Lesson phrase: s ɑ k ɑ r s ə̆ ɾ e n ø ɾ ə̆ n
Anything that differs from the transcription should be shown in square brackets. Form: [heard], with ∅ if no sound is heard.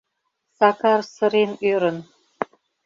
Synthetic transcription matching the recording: s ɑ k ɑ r s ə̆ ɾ e n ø ɾ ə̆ n